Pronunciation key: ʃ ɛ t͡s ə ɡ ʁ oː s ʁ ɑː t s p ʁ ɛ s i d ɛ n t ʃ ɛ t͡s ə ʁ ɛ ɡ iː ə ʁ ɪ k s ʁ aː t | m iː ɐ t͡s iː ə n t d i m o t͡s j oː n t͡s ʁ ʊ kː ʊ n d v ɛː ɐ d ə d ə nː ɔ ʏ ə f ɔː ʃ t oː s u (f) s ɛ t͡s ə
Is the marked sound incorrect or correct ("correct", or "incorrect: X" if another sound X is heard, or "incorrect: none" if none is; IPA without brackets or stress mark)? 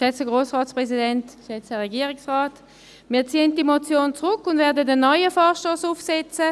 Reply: correct